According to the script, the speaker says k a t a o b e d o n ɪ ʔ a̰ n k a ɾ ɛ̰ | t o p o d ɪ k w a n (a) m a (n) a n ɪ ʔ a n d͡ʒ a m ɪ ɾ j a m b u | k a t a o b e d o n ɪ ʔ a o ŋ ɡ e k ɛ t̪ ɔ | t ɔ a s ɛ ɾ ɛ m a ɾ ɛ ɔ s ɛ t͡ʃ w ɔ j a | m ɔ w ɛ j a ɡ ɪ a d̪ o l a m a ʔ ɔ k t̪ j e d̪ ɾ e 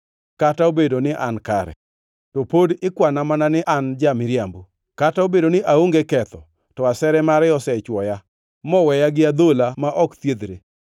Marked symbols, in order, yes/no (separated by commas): yes, yes